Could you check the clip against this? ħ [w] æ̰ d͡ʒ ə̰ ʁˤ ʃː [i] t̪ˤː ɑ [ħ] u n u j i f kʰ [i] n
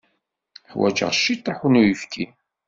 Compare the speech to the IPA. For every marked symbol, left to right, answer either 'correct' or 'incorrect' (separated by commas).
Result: correct, correct, correct, correct